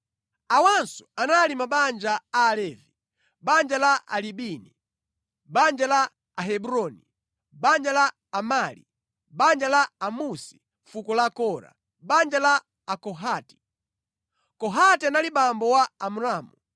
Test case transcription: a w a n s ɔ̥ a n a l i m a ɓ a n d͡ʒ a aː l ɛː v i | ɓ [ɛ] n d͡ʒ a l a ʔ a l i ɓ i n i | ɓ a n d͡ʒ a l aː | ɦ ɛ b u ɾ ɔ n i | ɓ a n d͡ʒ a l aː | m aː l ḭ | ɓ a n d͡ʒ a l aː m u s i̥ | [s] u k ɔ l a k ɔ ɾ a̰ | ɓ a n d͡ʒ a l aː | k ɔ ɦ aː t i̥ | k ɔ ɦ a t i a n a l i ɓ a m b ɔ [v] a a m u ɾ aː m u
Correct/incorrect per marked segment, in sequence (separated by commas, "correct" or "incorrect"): incorrect, incorrect, incorrect